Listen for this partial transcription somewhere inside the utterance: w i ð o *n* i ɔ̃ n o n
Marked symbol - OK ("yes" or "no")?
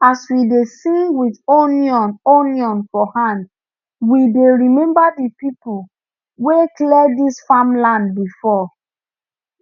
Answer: yes